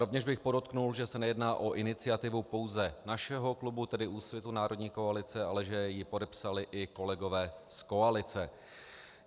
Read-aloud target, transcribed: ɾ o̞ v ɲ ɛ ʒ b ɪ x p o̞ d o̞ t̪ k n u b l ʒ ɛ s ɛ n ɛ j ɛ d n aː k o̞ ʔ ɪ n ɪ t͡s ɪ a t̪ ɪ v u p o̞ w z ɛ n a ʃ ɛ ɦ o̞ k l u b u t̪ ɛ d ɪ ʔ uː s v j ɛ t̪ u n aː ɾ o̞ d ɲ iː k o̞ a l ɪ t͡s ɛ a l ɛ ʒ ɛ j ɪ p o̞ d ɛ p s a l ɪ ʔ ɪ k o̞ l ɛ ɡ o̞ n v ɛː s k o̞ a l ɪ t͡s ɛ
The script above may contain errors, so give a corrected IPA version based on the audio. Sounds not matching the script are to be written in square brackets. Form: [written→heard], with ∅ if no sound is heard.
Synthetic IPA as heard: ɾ o̞ v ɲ ɛ ʒ b ɪ x p o̞ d o̞ t̪ k n u [b→∅] l ʒ ɛ s ɛ n ɛ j ɛ d n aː [k→ʔ] o̞ ʔ ɪ n ɪ t͡s ɪ a t̪ ɪ v u p o̞ w z ɛ n a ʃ ɛ ɦ o̞ k l u b u t̪ ɛ d ɪ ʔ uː s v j ɛ t̪ u n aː ɾ o̞ d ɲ iː k o̞ a l ɪ t͡s ɛ a l ɛ ʒ ɛ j ɪ p o̞ d ɛ p s a l ɪ ʔ ɪ k o̞ l ɛ ɡ o̞ [n→∅] v ɛː s k o̞ a l ɪ t͡s ɛ